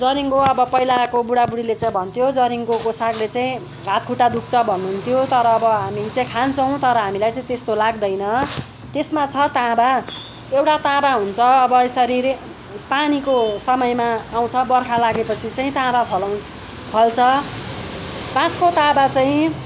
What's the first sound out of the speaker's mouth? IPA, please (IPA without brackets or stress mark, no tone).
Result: d͡z